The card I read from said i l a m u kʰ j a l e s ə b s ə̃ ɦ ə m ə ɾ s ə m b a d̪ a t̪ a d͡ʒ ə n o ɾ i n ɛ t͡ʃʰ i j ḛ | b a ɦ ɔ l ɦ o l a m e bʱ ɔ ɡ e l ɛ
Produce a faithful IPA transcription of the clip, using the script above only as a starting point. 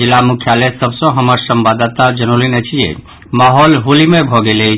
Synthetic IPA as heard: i l a m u kʰ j a l e s ə b s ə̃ ɦ ə m ə ɾ s ə m b a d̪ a t̪ a d͡ʒ ə n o l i n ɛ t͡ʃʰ i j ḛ | m a ɦ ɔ l ɦ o l i m e bʱ ɔ ɡ e l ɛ